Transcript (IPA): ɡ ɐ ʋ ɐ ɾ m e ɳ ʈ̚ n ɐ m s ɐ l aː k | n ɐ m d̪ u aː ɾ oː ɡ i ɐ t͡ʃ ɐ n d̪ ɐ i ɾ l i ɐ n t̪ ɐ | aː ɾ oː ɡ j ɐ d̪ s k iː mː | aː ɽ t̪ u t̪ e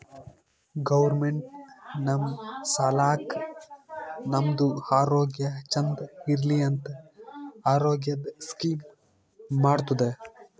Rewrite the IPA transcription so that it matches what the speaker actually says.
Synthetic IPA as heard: ɡ ɐ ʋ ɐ ɾ m e ɳ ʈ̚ n ɐ m s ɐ l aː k | n ɐ m d̪ u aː ɾ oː ɡ j ɐ t͡ʃ ɐ n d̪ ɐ i ɾ l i ɐ n t̪ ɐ | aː ɾ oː ɡ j ɐ d̪ s k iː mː | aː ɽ t̪ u d̪ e